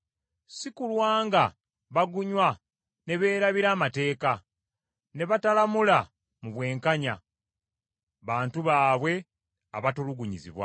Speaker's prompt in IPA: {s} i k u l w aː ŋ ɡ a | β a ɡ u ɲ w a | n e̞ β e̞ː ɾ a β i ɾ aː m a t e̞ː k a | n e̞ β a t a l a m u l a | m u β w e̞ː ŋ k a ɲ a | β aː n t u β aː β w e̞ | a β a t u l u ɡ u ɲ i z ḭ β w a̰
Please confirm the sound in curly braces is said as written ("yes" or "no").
yes